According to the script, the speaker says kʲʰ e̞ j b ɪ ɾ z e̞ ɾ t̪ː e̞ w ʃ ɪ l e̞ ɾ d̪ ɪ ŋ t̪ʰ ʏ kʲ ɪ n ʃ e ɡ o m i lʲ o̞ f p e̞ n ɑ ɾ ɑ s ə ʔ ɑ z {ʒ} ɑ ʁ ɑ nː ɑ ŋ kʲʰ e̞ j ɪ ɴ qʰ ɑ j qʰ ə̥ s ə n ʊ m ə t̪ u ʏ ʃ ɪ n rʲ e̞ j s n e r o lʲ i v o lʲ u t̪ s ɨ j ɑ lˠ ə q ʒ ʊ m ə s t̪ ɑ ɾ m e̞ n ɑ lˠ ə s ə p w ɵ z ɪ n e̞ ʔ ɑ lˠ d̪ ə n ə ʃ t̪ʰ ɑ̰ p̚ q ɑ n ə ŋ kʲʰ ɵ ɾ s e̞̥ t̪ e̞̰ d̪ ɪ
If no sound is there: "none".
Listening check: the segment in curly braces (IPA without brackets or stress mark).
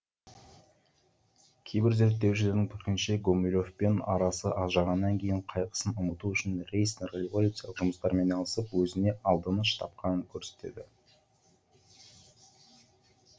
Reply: ʒ